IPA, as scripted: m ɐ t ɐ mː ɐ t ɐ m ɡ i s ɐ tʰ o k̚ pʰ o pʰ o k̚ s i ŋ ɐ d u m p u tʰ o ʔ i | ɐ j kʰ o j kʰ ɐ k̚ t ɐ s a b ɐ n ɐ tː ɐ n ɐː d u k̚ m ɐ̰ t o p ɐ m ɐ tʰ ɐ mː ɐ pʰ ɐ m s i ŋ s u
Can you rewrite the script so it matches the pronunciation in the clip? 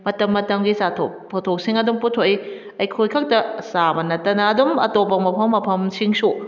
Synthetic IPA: m ɐ t ɐ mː ɐ t ɐ m ɡ i s a tʰ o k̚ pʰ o tʰ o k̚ s i ŋ ɐ d u m p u tʰ o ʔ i | ɐ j kʰ o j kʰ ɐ k̚ t ɐ s a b ɐ n ɐ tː ɐ n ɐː d u m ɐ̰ t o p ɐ m ɐ pʰ ɐ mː ɐ pʰ ɐ m s i ŋ s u